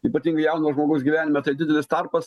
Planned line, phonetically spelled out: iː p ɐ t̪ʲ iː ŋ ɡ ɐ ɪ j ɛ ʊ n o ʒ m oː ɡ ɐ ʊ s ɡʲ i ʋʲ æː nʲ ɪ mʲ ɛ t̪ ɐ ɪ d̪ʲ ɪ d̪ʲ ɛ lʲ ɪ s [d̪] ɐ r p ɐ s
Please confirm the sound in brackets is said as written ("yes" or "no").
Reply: no